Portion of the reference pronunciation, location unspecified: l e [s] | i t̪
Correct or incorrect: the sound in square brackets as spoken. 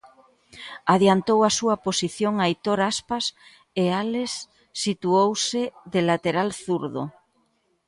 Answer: incorrect: sː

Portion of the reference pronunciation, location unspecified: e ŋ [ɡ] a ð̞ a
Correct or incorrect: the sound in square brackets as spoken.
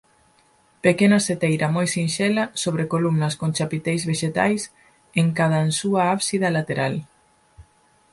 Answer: incorrect: k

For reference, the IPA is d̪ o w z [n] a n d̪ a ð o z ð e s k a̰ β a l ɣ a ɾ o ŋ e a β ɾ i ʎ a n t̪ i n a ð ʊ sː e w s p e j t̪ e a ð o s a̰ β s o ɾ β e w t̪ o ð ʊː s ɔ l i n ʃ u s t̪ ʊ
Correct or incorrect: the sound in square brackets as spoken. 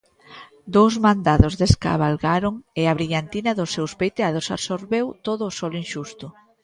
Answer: incorrect: m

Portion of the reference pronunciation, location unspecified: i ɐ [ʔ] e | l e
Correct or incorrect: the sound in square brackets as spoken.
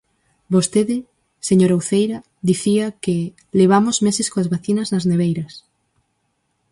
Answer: incorrect: k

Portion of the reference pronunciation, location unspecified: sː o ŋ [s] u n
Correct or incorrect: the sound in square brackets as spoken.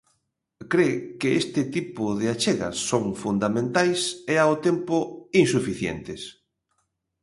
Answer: incorrect: f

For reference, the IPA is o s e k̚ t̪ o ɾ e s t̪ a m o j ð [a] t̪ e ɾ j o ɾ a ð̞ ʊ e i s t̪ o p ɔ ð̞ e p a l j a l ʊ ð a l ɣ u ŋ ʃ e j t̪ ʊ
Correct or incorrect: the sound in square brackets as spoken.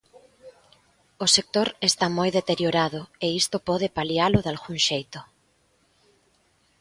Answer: incorrect: e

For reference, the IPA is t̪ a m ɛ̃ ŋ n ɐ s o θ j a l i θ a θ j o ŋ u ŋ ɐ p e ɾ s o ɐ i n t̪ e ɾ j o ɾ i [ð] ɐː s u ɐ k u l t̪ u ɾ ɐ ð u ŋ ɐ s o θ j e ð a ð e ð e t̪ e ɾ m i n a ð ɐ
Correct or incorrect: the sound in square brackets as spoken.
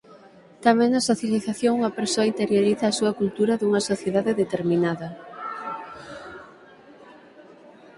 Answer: incorrect: θ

